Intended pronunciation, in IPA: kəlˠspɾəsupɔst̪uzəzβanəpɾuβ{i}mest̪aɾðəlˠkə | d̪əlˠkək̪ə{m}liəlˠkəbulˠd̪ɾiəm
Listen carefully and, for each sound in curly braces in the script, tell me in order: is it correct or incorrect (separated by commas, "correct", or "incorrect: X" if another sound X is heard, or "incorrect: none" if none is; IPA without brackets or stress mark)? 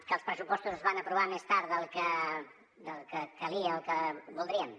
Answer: incorrect: a, incorrect: none